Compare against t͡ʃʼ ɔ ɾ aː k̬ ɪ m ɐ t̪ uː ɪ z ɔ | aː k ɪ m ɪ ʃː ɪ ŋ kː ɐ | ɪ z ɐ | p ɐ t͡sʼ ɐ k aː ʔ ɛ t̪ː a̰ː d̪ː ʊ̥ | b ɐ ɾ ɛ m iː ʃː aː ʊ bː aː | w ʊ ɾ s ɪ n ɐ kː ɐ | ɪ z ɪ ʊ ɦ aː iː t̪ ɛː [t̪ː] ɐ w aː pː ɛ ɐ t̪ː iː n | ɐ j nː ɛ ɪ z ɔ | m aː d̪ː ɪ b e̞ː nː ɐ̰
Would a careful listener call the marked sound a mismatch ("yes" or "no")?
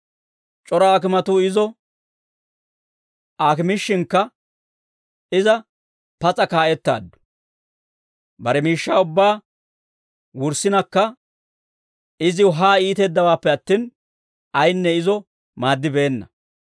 yes